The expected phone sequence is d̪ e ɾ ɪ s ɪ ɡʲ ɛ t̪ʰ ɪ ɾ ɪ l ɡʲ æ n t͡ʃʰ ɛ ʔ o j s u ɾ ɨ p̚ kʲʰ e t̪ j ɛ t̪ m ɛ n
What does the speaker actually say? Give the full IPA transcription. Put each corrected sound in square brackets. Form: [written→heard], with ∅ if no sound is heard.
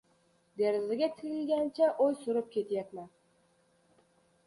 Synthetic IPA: d̪ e ɾ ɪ [s→z] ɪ ɡʲ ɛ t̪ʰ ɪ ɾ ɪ l ɡʲ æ n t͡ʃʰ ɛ ʔ o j s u ɾ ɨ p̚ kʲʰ e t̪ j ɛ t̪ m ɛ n